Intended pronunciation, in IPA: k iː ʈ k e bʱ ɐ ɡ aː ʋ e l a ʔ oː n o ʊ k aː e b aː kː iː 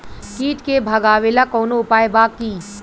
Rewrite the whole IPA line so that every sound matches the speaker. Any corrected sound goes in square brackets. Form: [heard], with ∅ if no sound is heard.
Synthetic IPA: k iː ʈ k e bʱ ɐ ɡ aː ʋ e l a [k] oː n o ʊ [p] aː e b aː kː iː